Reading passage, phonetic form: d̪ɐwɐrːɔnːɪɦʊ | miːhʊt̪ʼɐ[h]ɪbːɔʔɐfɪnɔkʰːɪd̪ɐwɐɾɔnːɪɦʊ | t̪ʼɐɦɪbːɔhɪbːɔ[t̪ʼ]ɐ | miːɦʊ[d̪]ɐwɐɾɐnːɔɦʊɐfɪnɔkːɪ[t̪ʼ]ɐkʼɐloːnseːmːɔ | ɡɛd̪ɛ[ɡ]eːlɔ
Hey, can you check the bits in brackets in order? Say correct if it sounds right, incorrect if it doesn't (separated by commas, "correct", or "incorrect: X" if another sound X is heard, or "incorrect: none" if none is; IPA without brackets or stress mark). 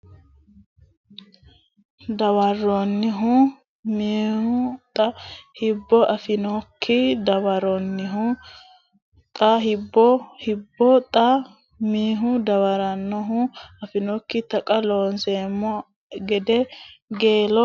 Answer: correct, correct, correct, incorrect: t̪, correct